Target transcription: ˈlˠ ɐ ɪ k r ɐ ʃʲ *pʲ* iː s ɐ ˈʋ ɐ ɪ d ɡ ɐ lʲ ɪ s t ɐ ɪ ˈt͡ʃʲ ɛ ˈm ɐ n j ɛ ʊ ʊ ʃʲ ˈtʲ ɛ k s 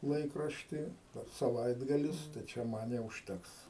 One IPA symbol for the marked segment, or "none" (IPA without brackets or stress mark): tʲ